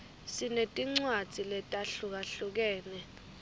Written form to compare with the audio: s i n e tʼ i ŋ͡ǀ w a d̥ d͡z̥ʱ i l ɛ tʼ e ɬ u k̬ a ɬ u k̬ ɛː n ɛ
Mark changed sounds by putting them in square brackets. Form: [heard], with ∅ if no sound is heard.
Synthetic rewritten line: s i n e tʼ i ŋ͡ǀ w a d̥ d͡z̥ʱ i l ɛ tʼ [a] ɬ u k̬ a ɬ u k̬ ɛː n ɛ